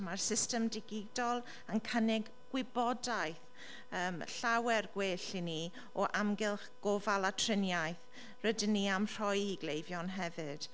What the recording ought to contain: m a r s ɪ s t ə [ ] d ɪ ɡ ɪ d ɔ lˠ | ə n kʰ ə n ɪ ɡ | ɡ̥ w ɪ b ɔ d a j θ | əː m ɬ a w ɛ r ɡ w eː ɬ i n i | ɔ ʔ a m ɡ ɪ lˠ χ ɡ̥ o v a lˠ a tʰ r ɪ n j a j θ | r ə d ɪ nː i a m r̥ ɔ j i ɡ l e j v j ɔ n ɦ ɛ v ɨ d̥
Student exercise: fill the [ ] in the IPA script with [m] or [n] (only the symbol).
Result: m